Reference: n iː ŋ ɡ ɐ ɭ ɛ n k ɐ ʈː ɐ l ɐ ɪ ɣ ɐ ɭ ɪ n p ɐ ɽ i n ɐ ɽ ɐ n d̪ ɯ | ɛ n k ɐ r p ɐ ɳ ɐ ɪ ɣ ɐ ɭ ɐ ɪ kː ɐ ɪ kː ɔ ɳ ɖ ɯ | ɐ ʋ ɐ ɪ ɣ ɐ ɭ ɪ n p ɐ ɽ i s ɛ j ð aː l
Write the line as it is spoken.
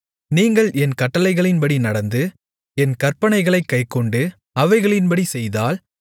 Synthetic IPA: n iː ŋ ɡ ɐ ɭ ɛ n k ɐ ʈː ɐ l ɐ ɪ ɣ ɐ ɭ ɪ n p ɐ ɽ i n ɐ ɽ ɐ n d̪ ɯ | ɛ n k ɐ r p ɐ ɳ ɐ ɪ ɣ ɐ ɭ ɐ ɪ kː ɐ ɪ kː ɔ ɳ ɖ ɯ | ɐ ʋ ɐ ɪ ɣ ɐ ɭ ɪ n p ɐ ɽ i s ɛ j ð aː l

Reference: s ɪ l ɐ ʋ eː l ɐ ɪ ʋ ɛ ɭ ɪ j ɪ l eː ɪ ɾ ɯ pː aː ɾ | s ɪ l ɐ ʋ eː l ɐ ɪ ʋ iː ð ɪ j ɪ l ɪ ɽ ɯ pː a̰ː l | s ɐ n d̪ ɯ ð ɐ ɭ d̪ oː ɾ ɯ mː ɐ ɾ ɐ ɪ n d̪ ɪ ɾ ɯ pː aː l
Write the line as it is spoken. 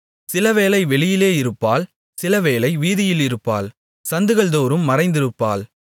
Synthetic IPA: s ɪ l ɐ ʋ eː l ɐ ɪ ʋ ɛ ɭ ɪ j ɪ l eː ɪ ɾ ɯ pː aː l | s ɪ l ɐ ʋ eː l ɐ ɪ ʋ iː ð ɪ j ɪ l ɪ ɾ ɯ pː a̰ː l | s ɐ n d̪ ɯ ɣ ɐ ɭ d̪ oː ɾ ɯ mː ɐ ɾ ɐ ɪ n d̪ ɪ ɾ ɯ pː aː l

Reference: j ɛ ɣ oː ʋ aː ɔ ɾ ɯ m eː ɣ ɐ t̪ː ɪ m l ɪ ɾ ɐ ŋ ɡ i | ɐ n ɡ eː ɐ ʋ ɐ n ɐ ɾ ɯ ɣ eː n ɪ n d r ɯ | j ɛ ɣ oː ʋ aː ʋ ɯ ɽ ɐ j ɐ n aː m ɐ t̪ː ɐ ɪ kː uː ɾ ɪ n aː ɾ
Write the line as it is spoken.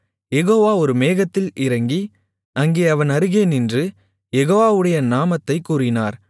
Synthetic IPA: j ɛ ɣ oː ʋ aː ɔ ɾ ɯ m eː ɣ ɐ t̪ː ɪ l ɪ ɾ ɐ ŋ ɡ i | ɐ ŋ ɡ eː ɐ ʋ ɐ n ɐ ɾ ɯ ɣ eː n ɪ n d r ɯ | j ɛ ɣ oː ʋ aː ʋ ɯ ɽ ɐ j ɐ n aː m ɐ t̪ː ɐ ɪ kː uː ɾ ɪ n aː ɾ

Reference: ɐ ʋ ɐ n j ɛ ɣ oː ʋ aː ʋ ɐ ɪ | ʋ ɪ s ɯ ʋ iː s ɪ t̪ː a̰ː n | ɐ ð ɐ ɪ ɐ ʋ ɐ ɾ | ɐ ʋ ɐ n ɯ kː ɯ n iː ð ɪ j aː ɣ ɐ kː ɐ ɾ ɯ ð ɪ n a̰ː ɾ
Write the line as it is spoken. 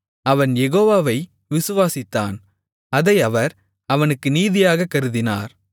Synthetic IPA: ɐ ʋ ɐ n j ɛ ɣ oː ʋ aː ʋ ɐ ɪ | ʋ ɪ s ɯ ʋ aː s ɪ t̪ː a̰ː n | ɐ ð ɐ ɪ ɐ ʋ ɐ ɾ | ɐ ʋ ɐ n ɯ kː ɯ n iː ð ɪ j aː ɣ ɐ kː ɐ ɾ ɯ ð ɪ n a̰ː ɾ

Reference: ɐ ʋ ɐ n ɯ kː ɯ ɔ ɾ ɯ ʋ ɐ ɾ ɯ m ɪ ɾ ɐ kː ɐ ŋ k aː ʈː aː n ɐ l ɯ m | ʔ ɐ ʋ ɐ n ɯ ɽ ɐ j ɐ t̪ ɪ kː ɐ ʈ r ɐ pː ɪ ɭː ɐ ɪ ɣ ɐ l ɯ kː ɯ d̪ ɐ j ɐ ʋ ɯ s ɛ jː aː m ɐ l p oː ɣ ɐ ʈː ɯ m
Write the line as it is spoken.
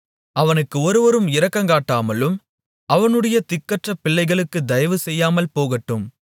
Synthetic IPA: ɐ ʋ ɐ n ɯ kː ɯ ɔ ɾ ɯ ʋ ɐ ɾ ɯ m ɪ ɾ ɐ kː ɐ ŋ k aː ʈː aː m ɐ l ɯ m | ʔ ɐ ʋ ɐ n ɯ ɽ ɐ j ɐ t̪ ɪ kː ɐ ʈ r ɐ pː ɪ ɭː ɐ ɪ ɣ ɐ ɭ ɯ kː ɯ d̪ ɐ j ɐ ʋ ɯ s ɛ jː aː m ɐ l p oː ɣ ɐ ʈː ɯ m

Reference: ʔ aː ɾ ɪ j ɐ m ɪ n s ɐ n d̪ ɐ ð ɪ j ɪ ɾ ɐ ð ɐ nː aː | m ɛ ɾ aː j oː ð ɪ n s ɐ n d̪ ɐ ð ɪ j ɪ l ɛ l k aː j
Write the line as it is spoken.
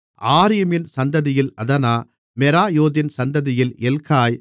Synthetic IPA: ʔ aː ɾ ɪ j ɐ m ɪ n s ɐ n d̪ ɐ ð ɪ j ɪ l ɐ ð ɐ n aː | m ɛ ɾ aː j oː ð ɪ n s ɐ n d̪ ɐ ð ɪ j ɪ l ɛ l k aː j

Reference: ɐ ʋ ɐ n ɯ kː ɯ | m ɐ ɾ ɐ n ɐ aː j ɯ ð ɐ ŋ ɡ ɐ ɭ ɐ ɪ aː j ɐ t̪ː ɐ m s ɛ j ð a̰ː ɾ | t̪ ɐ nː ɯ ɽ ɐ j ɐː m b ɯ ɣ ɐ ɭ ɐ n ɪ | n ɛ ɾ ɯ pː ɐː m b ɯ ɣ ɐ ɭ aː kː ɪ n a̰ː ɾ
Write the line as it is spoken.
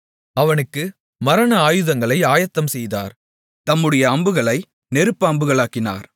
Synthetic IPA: ɐ ʋ ɐ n ɯ kː ɯ | m ɐ ɾ ɐ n ɐ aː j ɯ ð ɐ ŋ ɡ ɐ ɭ ɐ ɪ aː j ɐ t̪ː ɐ m s ɛ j ð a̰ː ɾ | t̪ ɐ mː ɯ ɽ ɐ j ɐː m b ɯ ɣ ɐ ɭ ɐ ɪ | n ɛ ɾ ɯ pː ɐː m b ɯ ɣ ɐ ɭ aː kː ɪ n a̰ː ɾ

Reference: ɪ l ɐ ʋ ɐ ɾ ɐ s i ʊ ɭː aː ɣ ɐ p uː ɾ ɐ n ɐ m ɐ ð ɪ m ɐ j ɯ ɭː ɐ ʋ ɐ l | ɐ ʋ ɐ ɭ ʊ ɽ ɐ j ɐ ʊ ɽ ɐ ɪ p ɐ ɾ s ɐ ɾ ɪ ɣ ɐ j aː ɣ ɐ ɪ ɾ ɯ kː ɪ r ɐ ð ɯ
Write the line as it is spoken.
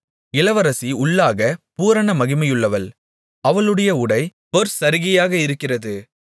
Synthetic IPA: ɪ l ɐ ʋ ɐ ɾ ɐ s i ʊ ɭː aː ɣ ɐ p uː ɾ ɐ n ɐ m ɐ ɣ ɪ m ɐ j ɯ ɭː ɐ ʋ ɐ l | ɐ ʋ ɐ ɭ ɯ ɽ ɐ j ɐ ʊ ɽ ɐ ɪ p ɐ ɾ s ɐ ɾ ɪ ɣ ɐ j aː ɣ ɐ ɪ ɾ ɯ kː ɪ r ɐ ð ɯ

